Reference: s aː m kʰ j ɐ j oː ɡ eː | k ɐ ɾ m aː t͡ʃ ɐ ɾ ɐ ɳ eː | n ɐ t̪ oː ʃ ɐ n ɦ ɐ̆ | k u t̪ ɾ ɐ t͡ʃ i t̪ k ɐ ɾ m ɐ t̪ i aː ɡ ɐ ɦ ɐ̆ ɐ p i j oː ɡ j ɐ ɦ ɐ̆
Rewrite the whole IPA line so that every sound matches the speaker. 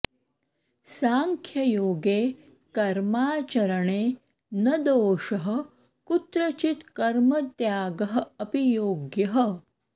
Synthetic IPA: s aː ŋ kʰ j ɐ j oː ɡ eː | k ɐ ɾ m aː t͡ʃ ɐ ɾ ɐ ɳ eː | n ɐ d̪ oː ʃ ɐ ɦ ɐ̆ | k u t̪ ɾ ɐ t͡ʃ i t̪ k ɐ ɾ m ɐ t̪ j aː ɡ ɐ ɦ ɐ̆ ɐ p i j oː ɡ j ɐ ɦ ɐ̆